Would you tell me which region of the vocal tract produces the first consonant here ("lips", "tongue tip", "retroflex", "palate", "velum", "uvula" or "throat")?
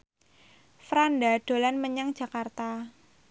lips